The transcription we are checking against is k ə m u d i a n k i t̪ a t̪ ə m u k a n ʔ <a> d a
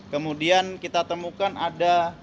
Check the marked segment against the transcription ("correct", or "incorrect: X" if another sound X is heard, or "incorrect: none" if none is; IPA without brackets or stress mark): correct